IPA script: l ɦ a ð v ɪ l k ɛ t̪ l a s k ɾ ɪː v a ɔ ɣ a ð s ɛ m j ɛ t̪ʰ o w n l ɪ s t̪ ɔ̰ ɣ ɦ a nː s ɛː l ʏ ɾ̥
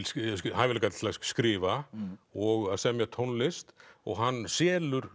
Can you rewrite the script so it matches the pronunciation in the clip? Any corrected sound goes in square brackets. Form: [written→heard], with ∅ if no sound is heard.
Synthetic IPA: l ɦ a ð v ɪ l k [ɛ→a] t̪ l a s k ɾ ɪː v a ɔ ɣ a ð s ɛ m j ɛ t̪ʰ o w n l ɪ s t̪ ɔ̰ ɣ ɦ a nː s ɛː l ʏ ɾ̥